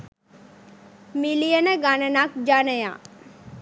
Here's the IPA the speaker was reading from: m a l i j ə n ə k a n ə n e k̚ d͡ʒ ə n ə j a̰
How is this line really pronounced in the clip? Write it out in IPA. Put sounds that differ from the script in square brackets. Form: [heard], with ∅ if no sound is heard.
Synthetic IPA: m [i] l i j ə n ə [ɡ] a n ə n [a] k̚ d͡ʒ [a] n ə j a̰